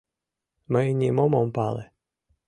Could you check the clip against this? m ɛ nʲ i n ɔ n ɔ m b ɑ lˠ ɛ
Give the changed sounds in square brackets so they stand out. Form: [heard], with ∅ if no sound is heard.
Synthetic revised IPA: m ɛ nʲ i [m] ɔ [m] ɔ m [p] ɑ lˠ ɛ